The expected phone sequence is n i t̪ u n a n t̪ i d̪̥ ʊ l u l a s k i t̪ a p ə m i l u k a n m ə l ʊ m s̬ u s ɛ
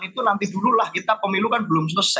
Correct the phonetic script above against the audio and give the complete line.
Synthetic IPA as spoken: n i t̪ u n a n t̪ i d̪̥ u l u l a h k i t̪ a p ə m i l u k a n b ə l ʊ m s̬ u s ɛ